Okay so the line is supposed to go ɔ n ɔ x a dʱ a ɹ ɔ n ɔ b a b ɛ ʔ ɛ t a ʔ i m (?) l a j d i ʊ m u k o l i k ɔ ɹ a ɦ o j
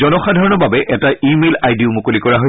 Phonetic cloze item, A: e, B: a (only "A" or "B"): A